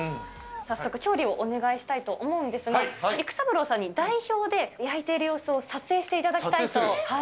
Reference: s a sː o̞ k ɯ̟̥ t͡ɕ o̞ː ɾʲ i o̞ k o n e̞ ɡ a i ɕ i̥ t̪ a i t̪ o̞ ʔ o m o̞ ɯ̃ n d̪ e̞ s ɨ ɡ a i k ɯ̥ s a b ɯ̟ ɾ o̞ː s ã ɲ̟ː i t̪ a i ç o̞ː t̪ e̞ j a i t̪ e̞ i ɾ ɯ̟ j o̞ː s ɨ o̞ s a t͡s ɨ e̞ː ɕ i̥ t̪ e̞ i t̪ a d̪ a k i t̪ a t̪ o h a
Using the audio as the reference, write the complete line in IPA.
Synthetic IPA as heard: s a sː o̞ k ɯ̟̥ t͡ɕ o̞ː ɾʲ i o̞ ʔ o n e̞ ɡ a i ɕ i̥ t̪ a i t̪ o̞ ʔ o m o̞ ɯ̃ n d̪ e̞ s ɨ ɡ a i k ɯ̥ s a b ɯ̟ ɾ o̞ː s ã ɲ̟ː i d̪ a i ç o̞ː d̪ e̞ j a i t̪ e̞ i ɾ ɯ̟ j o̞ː s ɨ o̞ s a t͡s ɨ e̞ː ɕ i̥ t̪ e̞ i t̪ a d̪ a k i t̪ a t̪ o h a